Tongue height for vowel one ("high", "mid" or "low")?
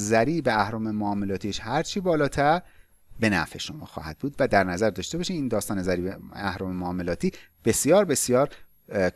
low